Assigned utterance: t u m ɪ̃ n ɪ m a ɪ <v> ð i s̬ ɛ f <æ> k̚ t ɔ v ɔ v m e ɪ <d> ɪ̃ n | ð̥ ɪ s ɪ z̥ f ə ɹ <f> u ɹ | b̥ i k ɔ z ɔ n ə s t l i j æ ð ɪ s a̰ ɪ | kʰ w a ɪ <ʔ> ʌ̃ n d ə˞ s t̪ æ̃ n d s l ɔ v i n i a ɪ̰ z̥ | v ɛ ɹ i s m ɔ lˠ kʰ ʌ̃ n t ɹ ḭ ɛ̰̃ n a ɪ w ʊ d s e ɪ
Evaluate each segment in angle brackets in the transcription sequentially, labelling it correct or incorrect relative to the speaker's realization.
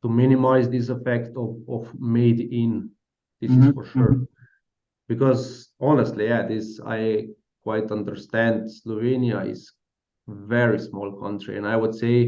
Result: incorrect: z, incorrect: ɛ, correct, incorrect: ʃ, incorrect: t

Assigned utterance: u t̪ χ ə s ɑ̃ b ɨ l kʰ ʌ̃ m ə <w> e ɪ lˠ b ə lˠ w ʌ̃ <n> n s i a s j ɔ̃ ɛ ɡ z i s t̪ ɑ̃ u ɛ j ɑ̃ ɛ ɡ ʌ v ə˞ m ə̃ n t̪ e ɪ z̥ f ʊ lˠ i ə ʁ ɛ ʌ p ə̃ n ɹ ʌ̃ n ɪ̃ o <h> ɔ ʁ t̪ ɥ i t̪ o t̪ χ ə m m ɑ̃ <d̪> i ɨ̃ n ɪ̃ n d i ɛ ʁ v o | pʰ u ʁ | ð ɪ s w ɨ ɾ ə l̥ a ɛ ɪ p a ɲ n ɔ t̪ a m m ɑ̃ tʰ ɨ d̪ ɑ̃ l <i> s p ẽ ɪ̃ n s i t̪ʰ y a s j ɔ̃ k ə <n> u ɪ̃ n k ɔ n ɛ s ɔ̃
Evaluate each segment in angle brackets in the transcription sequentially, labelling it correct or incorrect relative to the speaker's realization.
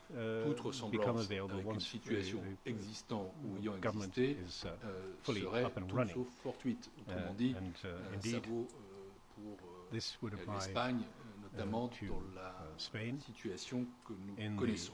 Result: incorrect: v, correct, incorrect: f, correct, incorrect: a, correct

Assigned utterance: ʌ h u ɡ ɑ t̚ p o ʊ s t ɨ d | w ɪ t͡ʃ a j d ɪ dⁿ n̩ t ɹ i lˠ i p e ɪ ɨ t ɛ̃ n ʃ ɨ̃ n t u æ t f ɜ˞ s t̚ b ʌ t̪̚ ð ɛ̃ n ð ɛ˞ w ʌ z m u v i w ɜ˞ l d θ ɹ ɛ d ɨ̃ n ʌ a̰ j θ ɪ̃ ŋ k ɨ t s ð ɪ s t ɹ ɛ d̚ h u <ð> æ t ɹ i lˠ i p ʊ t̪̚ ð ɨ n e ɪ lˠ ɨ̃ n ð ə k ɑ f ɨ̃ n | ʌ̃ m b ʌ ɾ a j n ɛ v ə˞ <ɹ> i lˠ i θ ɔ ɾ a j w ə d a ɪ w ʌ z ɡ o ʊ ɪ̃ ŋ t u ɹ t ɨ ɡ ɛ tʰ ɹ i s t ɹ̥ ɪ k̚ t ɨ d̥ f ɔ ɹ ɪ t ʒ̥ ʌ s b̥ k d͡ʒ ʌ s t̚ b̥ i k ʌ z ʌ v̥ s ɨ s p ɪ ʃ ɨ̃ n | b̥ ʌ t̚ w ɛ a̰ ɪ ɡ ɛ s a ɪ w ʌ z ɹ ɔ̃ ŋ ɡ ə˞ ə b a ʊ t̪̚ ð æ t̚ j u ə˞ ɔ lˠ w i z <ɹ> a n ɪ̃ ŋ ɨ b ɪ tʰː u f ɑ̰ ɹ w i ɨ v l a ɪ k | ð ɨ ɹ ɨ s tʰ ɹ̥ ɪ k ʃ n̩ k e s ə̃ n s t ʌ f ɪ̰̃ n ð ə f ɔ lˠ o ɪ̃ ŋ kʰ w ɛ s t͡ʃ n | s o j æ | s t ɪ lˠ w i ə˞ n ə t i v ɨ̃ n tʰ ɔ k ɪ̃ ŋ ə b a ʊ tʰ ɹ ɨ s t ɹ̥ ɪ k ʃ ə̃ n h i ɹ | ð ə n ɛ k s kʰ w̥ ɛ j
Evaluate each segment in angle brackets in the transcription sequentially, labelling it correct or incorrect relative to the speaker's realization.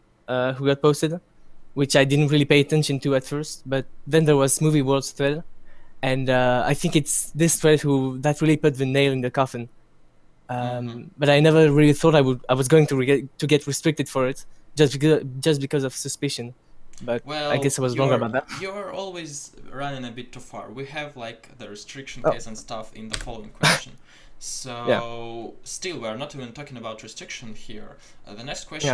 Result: correct, correct, correct

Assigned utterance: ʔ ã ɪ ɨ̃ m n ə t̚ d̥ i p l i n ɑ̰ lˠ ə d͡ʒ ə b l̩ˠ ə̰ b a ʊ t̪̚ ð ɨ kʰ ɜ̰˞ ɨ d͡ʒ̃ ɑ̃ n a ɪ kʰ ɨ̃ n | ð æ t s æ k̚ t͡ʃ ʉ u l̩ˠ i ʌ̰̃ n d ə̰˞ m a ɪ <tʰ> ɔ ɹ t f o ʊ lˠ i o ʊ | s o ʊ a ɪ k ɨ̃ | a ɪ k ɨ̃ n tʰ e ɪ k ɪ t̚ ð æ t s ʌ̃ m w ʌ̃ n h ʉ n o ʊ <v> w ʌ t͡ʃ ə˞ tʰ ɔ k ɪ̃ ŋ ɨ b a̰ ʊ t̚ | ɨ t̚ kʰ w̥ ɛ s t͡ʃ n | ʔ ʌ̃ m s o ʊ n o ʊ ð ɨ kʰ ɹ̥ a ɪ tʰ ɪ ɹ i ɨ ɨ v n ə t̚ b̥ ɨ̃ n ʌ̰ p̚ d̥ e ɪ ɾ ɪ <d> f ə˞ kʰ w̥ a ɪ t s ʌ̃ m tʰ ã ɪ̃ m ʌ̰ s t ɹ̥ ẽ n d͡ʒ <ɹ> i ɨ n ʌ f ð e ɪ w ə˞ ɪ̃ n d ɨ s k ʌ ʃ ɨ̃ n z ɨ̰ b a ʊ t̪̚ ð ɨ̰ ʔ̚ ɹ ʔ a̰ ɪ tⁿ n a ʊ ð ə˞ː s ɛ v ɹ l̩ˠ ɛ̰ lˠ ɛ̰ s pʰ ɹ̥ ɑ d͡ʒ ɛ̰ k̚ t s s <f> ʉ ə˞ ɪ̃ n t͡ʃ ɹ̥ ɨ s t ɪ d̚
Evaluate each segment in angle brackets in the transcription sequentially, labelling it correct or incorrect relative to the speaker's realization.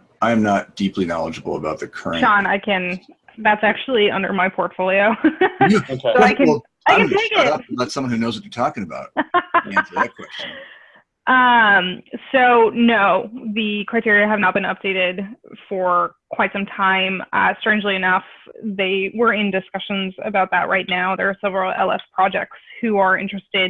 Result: incorrect: pʰ, incorrect: z, correct, incorrect: l, incorrect: h

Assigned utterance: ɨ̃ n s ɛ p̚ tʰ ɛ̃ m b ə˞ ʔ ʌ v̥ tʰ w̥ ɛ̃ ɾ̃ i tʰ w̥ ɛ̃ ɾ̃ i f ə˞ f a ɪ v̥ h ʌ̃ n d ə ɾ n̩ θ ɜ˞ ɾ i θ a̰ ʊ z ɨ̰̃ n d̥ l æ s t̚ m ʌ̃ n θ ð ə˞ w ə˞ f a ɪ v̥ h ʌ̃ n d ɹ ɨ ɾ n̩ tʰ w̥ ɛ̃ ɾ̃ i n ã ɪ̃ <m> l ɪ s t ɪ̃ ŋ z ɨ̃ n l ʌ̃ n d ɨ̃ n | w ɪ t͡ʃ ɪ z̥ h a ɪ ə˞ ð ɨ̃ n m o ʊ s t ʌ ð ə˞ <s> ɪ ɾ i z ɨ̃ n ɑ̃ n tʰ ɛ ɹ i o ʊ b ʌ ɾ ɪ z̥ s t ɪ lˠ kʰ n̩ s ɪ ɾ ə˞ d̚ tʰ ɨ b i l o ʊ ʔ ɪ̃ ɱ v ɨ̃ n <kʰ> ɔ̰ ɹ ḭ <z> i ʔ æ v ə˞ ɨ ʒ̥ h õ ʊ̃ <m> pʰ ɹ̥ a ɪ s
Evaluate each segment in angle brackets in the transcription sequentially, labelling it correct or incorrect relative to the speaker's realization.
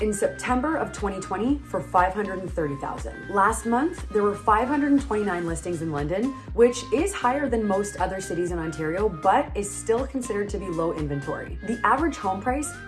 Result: incorrect: n, correct, incorrect: tʰ, incorrect: ð, correct

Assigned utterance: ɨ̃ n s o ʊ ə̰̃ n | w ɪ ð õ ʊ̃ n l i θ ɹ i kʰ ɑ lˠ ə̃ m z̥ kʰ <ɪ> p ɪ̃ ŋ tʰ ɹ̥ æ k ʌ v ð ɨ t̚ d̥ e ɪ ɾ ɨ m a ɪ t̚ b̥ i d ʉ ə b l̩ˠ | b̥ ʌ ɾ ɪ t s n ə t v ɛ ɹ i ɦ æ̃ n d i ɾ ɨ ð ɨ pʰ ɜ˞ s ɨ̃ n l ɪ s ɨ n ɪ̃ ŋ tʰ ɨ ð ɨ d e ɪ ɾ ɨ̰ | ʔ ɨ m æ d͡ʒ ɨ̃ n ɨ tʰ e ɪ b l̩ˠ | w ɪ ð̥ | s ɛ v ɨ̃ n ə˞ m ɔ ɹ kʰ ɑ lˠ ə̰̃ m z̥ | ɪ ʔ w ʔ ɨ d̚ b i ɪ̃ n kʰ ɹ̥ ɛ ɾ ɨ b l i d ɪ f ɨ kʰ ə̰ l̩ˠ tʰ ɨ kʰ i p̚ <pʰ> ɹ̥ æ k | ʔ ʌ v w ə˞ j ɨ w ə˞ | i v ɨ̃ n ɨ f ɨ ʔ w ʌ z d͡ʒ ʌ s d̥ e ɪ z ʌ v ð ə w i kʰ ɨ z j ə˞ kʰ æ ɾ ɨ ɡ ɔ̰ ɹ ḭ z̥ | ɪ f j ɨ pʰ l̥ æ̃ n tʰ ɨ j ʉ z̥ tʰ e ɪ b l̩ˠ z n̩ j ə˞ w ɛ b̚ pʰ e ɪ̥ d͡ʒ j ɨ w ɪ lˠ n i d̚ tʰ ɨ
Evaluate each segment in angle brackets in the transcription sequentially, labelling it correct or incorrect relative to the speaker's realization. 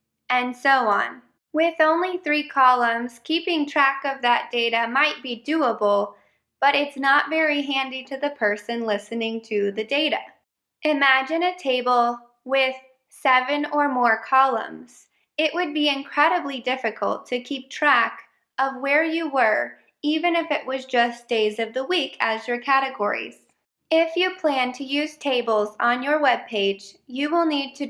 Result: incorrect: i, incorrect: tʰ

